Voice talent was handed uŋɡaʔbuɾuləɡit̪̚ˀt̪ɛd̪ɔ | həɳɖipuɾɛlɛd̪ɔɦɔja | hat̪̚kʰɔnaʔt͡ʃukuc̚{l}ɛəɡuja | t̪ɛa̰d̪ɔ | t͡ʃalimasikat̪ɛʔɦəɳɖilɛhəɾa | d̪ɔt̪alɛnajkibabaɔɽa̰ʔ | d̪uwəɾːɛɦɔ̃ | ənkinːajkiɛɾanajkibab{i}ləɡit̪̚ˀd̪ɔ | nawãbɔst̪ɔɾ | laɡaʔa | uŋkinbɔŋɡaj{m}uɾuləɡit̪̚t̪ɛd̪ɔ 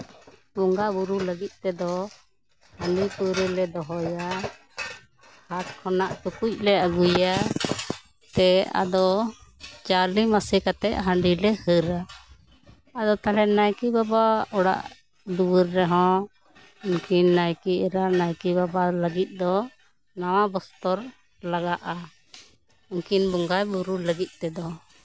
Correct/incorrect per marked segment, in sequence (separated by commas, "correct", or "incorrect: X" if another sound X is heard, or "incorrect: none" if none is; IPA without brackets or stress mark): correct, incorrect: a, incorrect: b